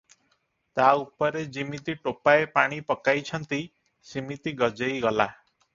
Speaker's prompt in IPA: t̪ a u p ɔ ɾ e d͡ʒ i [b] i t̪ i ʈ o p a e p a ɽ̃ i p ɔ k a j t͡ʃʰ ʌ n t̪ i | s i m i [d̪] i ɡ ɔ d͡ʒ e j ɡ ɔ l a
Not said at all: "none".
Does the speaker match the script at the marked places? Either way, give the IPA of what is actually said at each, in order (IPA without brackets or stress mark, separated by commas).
m, t̪